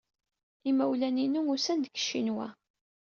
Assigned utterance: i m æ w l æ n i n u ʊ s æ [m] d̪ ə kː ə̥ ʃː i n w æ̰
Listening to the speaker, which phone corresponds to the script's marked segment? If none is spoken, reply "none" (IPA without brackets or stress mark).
n